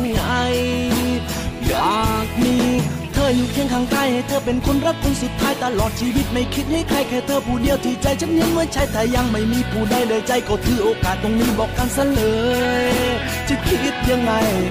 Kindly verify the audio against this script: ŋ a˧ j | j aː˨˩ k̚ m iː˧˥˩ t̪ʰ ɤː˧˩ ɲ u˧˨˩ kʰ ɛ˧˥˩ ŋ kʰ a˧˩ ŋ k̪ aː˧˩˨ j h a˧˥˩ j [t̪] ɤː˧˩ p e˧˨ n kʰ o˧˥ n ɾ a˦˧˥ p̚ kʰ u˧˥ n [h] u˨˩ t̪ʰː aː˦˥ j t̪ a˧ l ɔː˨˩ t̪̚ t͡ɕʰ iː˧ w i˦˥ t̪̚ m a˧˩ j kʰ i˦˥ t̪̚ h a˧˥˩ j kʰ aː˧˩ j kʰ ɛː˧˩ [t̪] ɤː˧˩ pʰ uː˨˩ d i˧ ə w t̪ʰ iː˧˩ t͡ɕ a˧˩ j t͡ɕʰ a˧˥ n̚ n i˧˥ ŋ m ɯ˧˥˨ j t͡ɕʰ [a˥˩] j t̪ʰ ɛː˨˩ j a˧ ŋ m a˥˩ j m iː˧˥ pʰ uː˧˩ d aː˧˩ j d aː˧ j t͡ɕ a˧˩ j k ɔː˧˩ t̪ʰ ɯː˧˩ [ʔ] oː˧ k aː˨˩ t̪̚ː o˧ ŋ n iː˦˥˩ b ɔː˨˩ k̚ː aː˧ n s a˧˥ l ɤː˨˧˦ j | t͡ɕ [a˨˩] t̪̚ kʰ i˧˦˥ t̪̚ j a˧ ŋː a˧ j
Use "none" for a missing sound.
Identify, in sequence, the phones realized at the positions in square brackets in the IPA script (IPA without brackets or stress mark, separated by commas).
t̪ʰ, s, t̪ʰ, a˦˥, ʔ, i˨˩